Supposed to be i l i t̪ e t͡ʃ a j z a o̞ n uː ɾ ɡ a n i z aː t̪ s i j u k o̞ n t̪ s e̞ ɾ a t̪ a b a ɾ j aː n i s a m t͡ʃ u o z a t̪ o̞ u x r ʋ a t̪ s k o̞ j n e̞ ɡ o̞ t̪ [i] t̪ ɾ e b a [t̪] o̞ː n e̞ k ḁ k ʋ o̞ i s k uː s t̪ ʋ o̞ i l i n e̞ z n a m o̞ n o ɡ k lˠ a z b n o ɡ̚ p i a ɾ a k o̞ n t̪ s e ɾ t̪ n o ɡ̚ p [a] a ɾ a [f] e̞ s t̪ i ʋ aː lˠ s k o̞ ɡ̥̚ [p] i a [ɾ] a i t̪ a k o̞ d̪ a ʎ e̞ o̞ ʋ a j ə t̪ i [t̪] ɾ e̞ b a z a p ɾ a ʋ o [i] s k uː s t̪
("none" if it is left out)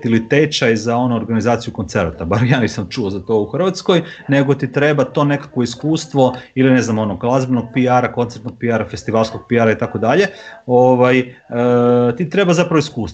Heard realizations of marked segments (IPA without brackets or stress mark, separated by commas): i, t̪, i, f, p, ɾ, t̪, i